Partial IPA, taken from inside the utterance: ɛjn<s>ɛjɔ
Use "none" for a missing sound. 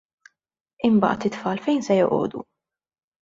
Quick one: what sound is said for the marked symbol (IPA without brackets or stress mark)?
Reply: s